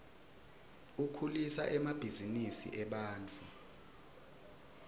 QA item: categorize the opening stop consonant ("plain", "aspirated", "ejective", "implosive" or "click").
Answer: aspirated